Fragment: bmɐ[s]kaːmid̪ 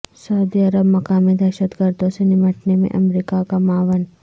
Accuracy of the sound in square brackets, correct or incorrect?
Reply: incorrect